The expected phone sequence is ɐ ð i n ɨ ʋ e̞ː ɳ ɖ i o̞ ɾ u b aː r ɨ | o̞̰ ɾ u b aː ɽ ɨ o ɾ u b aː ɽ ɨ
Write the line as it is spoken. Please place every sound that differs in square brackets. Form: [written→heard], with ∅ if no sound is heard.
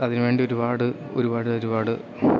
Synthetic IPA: ɐ ð i n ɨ ʋ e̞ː ɳ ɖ i o̞ ɾ u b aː [r→ɽ] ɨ | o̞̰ ɾ u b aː ɽ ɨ o ɾ u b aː ɽ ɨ